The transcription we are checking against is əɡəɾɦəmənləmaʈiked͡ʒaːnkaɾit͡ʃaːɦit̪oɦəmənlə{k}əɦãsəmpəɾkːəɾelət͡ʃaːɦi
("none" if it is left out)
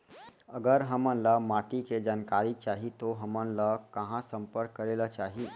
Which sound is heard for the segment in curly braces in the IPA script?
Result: k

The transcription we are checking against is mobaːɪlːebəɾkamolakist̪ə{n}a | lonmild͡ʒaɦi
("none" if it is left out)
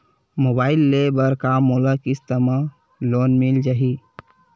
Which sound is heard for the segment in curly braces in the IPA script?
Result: m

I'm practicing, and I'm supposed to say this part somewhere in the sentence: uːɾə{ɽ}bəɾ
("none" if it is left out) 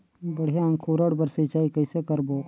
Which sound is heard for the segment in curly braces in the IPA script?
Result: ɽ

